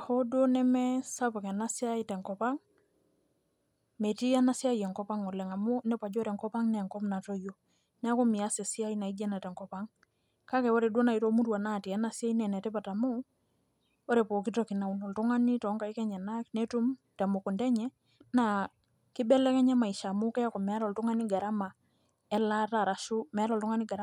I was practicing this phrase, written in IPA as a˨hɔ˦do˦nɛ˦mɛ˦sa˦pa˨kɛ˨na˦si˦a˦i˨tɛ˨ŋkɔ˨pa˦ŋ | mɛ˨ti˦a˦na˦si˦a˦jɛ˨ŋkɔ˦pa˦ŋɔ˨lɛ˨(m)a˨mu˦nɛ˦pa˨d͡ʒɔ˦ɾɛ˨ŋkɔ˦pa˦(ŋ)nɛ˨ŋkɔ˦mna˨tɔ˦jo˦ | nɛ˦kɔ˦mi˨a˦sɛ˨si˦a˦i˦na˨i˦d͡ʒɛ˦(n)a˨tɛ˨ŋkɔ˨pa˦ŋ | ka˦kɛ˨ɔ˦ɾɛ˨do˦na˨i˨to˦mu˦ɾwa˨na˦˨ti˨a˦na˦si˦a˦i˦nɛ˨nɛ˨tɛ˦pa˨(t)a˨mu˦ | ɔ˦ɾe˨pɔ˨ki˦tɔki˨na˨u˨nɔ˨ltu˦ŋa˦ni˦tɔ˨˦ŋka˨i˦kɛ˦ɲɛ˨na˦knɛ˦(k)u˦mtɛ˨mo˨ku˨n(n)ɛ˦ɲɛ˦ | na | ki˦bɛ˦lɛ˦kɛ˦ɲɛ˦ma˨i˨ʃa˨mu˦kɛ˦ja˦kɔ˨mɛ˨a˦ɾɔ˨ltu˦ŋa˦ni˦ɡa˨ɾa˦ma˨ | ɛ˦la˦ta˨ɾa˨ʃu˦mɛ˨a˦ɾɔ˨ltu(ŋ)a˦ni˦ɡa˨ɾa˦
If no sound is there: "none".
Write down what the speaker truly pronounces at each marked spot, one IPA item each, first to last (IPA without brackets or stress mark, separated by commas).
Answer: ŋ, ŋ, n, t, t, d, ŋ